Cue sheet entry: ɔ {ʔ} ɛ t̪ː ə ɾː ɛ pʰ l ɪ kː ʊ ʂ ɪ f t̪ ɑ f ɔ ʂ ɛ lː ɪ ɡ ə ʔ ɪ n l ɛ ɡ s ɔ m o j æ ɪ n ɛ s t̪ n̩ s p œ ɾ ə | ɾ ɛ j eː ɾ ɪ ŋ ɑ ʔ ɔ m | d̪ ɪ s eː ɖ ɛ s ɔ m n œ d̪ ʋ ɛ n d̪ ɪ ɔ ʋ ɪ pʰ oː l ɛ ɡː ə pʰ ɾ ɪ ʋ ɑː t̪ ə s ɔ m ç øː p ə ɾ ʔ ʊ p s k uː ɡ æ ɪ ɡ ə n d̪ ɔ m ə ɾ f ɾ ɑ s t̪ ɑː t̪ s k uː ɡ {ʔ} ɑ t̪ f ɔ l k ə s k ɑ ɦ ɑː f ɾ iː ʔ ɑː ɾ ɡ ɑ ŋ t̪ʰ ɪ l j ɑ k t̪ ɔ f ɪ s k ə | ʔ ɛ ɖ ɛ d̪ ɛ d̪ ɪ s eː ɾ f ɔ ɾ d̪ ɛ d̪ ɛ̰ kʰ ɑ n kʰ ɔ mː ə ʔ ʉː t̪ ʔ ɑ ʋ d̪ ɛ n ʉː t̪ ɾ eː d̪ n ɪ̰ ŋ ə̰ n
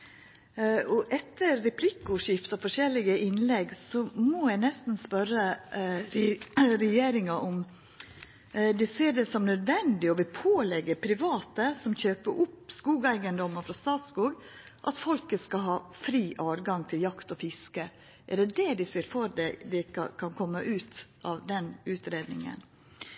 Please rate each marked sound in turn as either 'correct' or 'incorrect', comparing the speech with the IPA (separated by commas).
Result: correct, correct